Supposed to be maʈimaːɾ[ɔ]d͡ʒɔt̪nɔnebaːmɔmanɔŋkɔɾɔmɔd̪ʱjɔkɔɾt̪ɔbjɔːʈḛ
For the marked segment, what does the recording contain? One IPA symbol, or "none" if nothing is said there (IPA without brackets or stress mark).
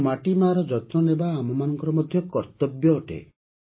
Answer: ɔ